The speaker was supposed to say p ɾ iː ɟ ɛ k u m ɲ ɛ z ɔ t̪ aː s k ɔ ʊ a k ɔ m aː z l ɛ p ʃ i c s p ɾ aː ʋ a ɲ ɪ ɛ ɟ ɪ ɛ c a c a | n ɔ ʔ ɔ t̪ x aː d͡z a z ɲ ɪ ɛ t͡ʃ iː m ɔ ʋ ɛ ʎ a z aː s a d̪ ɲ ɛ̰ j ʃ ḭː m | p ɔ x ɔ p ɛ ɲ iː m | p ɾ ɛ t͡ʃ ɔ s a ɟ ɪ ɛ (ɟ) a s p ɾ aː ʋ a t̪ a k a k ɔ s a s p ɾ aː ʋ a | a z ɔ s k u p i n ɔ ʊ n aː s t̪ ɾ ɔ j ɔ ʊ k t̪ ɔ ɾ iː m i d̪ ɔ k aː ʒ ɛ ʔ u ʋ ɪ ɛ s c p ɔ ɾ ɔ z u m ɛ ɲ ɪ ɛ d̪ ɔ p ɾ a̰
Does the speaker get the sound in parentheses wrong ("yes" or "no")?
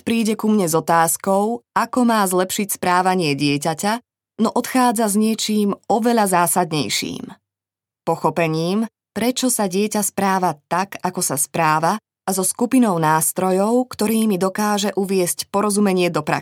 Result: yes